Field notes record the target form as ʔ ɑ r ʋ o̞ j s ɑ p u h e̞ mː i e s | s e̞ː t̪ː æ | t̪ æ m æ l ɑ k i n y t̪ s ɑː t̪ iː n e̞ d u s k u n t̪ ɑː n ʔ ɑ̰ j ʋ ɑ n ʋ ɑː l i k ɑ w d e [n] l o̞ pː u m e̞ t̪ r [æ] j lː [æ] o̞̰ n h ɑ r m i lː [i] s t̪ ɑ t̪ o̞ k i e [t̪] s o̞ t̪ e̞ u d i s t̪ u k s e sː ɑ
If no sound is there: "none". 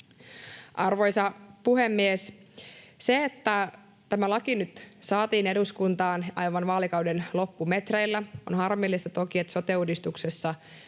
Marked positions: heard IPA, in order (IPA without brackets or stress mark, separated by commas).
n, e, æ, i, t̪